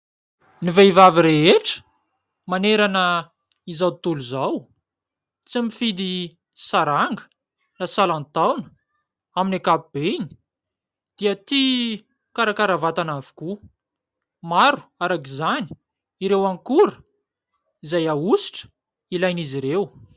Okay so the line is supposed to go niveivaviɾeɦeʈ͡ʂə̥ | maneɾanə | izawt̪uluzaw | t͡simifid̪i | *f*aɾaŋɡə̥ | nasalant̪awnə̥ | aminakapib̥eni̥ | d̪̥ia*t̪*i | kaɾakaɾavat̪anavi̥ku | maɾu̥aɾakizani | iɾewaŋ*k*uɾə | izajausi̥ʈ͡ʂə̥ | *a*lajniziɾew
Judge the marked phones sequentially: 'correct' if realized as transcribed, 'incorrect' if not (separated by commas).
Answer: incorrect, correct, correct, incorrect